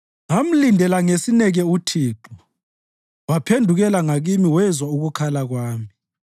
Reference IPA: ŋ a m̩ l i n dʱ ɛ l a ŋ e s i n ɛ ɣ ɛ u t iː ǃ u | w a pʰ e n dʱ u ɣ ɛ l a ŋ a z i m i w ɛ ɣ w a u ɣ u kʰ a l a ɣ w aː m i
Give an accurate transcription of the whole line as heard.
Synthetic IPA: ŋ a m̩ l i n dʱ ɛ l a ŋ e s i n ɛ ɣ ɛ u tʰ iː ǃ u | w a pʰ e n dʱ u ɣ ɛ l a ŋ a ɣ i m i w ɛ z w a u ɣ u kʰ a l a ɣ w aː m i